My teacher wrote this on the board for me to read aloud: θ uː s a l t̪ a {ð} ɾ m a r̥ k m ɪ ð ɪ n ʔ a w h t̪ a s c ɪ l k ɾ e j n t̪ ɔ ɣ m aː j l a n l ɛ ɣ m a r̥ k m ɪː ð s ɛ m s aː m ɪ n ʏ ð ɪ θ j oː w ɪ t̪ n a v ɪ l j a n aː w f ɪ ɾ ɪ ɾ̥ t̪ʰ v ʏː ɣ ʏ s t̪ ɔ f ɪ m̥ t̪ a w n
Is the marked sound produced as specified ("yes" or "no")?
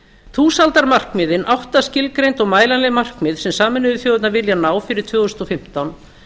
no